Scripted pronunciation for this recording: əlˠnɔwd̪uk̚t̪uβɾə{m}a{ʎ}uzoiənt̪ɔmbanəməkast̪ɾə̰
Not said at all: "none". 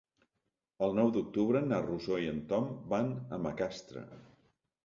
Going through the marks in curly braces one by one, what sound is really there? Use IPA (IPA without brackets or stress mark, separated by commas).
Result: n, r